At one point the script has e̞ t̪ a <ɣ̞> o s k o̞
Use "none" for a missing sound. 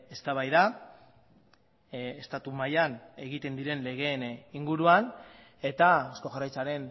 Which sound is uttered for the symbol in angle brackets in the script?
none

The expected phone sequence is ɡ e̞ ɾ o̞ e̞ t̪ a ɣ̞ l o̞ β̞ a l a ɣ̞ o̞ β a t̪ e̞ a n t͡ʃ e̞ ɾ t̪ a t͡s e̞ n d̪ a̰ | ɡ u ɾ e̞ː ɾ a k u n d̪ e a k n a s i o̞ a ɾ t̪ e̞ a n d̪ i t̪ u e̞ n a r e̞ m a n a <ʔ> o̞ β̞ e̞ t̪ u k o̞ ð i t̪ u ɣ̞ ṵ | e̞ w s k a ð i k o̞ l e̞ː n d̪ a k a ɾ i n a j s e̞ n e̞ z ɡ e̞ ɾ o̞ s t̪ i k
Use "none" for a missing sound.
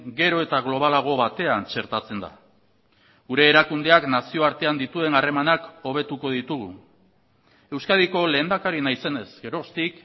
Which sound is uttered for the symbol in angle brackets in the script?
k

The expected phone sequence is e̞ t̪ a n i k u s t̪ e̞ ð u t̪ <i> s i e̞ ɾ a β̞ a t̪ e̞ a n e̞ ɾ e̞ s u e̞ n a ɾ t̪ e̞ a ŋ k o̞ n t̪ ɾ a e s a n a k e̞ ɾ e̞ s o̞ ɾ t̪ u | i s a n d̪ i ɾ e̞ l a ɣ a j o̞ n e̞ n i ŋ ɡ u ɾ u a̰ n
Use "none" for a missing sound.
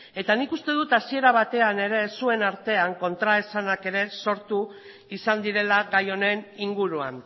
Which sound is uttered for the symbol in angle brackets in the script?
a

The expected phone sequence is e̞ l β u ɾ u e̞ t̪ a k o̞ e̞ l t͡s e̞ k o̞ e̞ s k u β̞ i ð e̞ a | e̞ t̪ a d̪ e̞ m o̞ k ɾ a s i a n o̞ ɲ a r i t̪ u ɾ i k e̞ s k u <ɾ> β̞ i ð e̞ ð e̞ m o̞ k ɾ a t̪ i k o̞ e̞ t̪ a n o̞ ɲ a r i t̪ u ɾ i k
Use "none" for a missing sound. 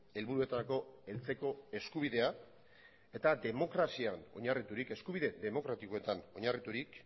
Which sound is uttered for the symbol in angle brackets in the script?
none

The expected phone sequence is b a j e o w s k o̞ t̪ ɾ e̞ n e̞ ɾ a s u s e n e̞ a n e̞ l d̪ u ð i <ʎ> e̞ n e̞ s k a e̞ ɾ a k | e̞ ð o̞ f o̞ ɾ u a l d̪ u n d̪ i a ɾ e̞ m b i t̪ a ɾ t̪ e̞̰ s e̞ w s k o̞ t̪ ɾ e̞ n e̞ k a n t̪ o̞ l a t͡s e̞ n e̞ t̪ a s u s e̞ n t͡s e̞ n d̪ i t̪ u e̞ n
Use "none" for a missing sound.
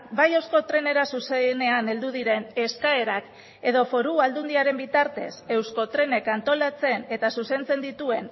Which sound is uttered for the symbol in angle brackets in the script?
ɾ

